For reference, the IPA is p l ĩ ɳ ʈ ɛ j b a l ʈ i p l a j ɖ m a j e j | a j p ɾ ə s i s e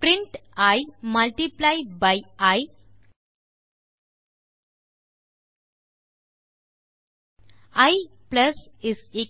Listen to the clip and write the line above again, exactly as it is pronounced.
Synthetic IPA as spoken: p ɾ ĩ ɳ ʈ a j m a l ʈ i p l a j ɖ b a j a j | a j p l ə s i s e